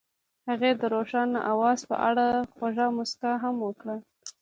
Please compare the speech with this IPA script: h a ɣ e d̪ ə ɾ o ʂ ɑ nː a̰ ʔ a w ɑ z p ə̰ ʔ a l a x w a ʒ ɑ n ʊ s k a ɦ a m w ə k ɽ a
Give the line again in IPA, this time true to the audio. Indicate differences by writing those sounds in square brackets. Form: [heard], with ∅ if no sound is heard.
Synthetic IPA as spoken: h a ɣ e d̪ ə ɾ o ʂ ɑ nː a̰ ʔ a w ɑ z p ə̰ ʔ a [ɽ] a x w a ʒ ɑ [m] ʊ s k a ɦ a m w ə k ɽ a